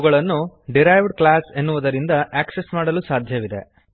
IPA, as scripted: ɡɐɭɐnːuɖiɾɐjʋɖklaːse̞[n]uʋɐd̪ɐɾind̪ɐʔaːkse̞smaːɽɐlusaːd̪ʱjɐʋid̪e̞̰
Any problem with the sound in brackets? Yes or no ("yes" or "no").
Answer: yes